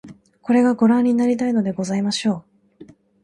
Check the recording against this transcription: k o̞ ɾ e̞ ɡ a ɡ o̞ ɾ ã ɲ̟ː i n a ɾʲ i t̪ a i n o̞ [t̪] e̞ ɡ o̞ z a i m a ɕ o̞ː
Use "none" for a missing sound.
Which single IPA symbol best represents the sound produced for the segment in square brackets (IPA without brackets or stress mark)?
d̪